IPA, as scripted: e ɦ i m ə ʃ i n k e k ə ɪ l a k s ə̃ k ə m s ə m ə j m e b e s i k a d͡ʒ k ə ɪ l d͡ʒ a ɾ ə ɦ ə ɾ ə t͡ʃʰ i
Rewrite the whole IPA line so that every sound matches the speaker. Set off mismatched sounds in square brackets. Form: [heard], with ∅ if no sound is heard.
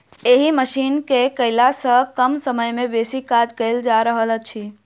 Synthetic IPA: e ɦ i m ə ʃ i n k e k ə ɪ l a [∅] s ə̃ k ə m s ə m ə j m e b e s i k a d͡ʒ k ə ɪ l d͡ʒ a ɾ ə ɦ ə [l] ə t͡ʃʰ i